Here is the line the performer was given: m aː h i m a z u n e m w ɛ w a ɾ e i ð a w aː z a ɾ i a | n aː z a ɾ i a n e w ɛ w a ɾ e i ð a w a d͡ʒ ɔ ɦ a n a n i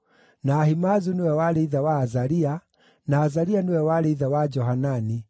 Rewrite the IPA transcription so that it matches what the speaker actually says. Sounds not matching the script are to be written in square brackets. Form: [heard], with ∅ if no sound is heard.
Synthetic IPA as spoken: [n] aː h i m a z u n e [∅] w ɛ w a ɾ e i ð a w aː z a ɾ i a | n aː z a ɾ i a n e w ɛ w a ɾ e i ð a w a d͡ʒ ɔ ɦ a n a n i